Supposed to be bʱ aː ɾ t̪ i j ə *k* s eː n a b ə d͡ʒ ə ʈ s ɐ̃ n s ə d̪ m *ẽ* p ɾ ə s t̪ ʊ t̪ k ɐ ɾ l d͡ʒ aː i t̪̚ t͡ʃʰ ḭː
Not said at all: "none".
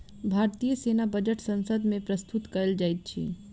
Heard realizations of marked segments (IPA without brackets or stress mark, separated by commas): none, ẽ